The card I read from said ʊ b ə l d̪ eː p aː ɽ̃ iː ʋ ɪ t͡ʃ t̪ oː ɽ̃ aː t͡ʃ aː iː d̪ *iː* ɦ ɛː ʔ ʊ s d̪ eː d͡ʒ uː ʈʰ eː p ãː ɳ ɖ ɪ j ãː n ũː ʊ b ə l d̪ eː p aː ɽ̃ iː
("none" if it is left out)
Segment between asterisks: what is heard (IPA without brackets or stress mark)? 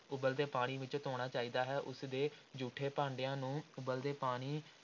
aː